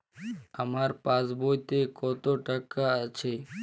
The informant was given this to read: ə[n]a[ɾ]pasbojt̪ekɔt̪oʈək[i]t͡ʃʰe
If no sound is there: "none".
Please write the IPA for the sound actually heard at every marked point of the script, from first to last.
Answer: m, ɾ, a

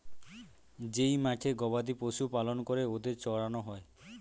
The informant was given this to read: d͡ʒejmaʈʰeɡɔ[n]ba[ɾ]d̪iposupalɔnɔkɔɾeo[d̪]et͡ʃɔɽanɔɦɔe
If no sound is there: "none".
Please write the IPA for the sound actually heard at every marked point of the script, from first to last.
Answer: none, none, d̪

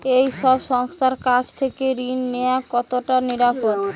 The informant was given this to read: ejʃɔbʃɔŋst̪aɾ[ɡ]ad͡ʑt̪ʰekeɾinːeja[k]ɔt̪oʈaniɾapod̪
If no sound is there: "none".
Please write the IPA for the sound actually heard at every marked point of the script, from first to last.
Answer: k, k

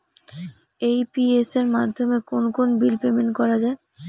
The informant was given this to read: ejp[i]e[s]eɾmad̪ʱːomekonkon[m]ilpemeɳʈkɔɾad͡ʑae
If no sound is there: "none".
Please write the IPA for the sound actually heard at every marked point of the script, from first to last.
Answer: i, s, b

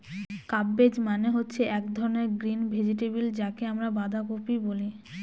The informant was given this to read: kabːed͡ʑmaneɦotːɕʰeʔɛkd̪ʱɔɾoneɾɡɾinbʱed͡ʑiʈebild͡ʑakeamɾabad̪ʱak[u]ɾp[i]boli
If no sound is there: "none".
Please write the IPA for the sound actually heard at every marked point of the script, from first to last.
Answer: o, i

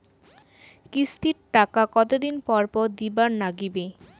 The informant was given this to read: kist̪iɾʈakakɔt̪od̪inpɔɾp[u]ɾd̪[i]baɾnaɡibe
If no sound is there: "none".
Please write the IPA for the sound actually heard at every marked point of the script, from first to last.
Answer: ɔ, i

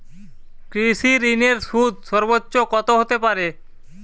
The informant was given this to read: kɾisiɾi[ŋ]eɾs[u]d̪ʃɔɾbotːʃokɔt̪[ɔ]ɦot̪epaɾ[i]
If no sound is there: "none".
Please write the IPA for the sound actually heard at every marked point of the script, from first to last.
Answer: n, u, o, e

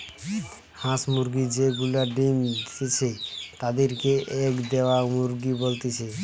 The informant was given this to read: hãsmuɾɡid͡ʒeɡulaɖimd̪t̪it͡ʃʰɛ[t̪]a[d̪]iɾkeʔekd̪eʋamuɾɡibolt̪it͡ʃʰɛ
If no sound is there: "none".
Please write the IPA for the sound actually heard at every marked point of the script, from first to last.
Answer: t̪, d̪

